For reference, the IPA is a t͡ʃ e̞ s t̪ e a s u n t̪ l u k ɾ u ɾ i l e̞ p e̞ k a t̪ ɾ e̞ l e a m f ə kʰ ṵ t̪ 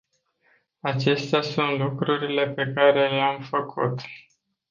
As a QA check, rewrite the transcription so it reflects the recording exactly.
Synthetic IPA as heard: a t͡ʃ e̞ s t̪ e a s u n t̪ l u k ɾ u ɾ i l e̞ p e̞ k a ɾ e̞ l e a m f ə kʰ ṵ t̪